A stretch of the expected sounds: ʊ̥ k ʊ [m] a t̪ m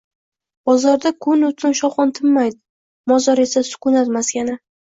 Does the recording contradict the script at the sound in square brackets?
yes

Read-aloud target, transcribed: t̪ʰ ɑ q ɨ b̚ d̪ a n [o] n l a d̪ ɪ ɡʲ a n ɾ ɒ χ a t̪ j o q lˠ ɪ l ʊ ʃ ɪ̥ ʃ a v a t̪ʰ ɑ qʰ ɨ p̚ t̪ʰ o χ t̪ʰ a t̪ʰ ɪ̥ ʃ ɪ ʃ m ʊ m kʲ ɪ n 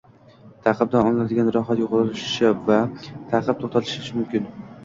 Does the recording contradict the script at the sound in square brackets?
yes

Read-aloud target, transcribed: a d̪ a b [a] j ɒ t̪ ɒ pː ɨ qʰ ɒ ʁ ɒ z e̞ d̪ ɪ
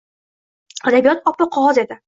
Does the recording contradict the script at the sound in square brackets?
yes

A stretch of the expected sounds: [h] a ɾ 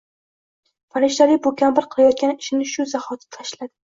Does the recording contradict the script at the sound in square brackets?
yes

